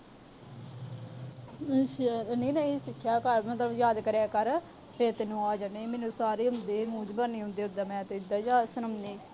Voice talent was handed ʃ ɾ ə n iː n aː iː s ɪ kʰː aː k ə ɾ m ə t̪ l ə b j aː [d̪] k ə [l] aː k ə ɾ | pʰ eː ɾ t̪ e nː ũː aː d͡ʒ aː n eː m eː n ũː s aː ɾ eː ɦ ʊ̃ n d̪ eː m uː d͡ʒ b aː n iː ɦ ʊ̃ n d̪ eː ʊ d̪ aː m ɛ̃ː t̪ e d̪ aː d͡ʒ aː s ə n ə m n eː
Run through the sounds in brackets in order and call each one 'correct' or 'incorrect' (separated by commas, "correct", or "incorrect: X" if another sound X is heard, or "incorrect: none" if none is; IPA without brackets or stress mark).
correct, incorrect: ɾ